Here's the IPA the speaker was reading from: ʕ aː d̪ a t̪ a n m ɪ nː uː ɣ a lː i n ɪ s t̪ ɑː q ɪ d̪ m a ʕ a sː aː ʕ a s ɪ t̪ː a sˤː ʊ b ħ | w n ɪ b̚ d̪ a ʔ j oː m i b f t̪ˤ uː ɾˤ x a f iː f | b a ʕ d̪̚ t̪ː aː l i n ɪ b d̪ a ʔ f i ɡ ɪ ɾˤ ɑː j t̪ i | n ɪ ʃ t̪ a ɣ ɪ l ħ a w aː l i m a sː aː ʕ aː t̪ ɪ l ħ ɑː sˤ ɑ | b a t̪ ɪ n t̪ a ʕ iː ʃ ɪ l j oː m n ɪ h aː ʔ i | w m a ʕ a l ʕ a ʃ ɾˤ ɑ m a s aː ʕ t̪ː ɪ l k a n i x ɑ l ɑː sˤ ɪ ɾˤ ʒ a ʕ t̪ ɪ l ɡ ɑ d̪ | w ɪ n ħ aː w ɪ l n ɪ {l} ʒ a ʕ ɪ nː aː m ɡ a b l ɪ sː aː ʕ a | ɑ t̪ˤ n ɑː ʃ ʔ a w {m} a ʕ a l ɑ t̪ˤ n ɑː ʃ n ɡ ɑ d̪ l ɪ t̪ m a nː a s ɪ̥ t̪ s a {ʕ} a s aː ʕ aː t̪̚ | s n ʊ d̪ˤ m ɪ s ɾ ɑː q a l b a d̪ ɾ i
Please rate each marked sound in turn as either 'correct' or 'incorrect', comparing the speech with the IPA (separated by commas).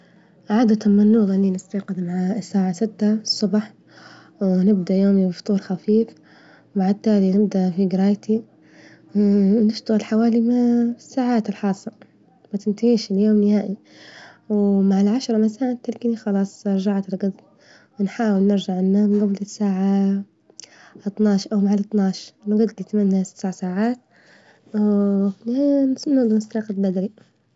incorrect, correct, correct